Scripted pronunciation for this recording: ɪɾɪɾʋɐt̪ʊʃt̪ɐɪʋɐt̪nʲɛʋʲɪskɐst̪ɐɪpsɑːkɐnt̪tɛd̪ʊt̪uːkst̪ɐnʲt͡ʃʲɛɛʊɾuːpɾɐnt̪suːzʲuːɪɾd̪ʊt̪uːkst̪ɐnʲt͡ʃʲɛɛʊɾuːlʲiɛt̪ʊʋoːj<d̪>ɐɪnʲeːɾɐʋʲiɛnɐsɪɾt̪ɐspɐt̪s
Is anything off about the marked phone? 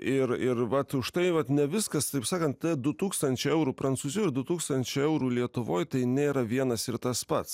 yes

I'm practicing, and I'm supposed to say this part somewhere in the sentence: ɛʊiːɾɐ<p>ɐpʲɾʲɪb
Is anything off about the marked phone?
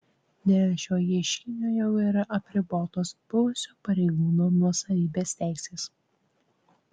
yes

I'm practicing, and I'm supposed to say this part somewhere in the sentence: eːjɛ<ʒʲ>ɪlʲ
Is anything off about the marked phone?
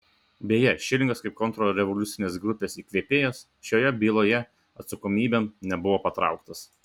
yes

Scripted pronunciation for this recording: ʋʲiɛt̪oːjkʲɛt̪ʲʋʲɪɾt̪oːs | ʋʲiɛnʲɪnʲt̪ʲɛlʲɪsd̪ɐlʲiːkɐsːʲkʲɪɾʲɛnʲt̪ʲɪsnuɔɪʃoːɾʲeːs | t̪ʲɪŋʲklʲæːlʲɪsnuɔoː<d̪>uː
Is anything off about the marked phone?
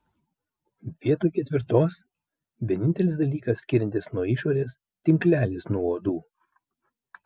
no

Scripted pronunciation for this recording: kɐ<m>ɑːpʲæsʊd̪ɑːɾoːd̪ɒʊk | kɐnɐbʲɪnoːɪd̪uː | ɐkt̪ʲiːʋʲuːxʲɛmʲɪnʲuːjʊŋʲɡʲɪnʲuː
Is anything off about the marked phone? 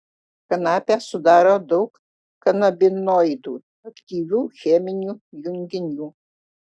yes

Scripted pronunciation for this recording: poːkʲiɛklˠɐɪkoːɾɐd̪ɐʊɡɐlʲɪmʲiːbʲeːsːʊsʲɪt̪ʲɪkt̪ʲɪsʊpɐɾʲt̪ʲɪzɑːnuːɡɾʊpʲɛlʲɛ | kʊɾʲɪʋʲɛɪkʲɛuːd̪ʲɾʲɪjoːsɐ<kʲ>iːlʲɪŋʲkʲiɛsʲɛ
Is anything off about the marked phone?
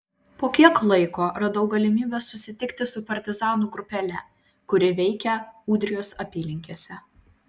yes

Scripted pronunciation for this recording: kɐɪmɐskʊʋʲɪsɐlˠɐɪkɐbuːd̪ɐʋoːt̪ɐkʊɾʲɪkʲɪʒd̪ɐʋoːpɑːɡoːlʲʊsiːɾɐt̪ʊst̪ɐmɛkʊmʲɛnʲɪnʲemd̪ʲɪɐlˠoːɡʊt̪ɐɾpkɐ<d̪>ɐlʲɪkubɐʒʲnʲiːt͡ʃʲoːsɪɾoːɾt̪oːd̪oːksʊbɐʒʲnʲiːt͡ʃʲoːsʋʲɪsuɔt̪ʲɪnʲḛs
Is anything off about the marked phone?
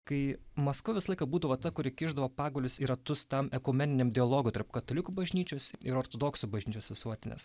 yes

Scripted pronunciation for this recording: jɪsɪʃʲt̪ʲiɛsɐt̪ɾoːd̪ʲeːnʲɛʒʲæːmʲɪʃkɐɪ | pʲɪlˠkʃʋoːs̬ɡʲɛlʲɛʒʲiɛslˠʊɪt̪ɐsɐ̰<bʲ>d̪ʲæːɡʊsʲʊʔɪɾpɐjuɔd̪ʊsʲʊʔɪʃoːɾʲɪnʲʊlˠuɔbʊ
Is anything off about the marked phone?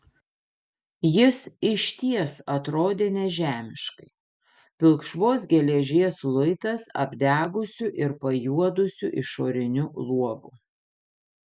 no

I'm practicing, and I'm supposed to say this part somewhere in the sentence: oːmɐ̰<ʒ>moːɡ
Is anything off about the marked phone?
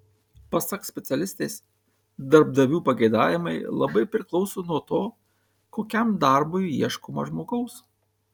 no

